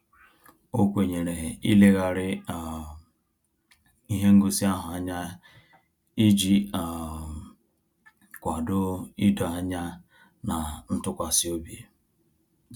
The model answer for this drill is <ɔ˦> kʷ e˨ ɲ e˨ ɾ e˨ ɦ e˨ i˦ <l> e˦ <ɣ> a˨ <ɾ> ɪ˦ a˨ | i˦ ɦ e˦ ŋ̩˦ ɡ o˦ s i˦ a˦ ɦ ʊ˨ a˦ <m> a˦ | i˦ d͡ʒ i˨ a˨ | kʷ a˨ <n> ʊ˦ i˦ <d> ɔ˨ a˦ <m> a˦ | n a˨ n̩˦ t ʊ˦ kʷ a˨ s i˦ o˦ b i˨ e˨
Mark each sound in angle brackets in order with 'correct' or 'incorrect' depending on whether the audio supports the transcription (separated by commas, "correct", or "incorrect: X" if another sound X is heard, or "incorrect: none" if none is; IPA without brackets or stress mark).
incorrect: o˦, correct, correct, correct, incorrect: ɲ, incorrect: d, correct, incorrect: ɲ